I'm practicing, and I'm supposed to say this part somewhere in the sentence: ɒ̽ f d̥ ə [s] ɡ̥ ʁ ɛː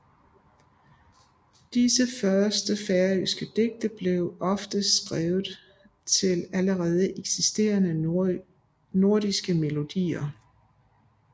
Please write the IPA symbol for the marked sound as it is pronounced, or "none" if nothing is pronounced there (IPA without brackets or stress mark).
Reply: s